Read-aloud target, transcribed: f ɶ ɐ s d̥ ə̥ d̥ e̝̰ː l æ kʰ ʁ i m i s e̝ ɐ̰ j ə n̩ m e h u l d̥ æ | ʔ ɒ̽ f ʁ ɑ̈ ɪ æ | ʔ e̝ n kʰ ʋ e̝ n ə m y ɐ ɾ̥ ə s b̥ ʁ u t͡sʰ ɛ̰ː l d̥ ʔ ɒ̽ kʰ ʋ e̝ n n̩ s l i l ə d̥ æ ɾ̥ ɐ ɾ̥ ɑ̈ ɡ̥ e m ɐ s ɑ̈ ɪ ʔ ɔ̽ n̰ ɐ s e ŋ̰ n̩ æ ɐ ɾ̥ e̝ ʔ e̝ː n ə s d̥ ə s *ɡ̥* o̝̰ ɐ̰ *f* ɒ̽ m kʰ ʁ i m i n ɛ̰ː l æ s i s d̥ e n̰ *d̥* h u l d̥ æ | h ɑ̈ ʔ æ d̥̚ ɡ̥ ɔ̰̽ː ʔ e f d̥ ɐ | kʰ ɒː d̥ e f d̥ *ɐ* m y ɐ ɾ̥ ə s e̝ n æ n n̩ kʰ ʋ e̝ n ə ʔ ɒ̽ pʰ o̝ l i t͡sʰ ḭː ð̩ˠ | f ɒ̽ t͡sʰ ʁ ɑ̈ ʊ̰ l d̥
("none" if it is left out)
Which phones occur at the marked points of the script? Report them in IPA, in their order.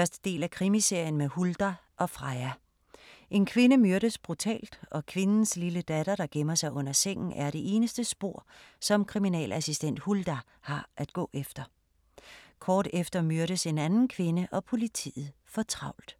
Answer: b̥, s, d̥, ɐ

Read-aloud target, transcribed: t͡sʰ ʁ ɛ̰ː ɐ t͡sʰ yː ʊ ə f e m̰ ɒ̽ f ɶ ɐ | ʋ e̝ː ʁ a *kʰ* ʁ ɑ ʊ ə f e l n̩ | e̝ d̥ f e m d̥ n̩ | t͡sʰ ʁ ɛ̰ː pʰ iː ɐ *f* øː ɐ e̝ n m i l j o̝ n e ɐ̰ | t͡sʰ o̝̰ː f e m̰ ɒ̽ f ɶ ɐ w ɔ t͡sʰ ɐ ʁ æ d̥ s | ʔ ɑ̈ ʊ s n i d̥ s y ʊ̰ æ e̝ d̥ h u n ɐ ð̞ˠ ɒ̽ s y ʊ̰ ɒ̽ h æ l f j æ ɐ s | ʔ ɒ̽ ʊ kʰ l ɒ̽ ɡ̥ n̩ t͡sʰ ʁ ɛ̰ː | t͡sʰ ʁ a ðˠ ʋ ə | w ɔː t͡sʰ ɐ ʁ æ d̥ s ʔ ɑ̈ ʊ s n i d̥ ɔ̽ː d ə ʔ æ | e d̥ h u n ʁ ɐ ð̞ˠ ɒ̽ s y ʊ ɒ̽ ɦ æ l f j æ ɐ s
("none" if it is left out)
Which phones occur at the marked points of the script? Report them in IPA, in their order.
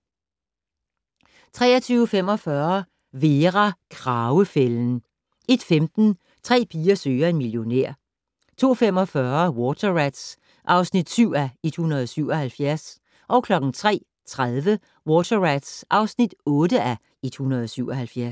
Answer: kʰ, s

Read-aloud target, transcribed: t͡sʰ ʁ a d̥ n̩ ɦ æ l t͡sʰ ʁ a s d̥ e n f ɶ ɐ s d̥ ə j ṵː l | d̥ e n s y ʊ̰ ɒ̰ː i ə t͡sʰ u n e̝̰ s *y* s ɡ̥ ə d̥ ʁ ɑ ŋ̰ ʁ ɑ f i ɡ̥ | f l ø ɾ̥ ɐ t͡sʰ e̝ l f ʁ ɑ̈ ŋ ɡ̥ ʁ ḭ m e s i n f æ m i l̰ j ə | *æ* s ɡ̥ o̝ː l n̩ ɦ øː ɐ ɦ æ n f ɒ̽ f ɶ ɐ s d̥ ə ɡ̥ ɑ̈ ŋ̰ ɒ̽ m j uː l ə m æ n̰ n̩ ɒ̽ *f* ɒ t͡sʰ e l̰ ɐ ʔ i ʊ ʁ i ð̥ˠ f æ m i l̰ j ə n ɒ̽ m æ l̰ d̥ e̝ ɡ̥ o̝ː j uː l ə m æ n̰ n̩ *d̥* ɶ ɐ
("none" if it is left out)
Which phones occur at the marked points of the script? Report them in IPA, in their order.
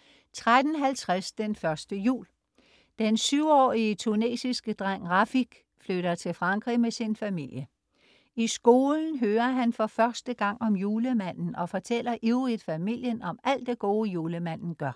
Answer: i, i, f, ɡ̥

